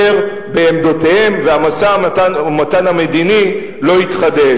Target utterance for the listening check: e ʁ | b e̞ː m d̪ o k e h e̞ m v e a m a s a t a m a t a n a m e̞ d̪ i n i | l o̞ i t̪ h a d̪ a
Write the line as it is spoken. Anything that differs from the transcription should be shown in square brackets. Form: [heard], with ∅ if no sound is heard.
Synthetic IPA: e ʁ | b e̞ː m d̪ o [t] e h e̞ m v e a m a s a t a m a t a n a m e̞ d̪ i n i | l o̞ i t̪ [χ] a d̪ [e]